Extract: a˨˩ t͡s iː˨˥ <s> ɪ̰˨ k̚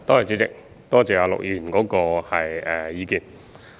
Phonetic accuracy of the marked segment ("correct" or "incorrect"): incorrect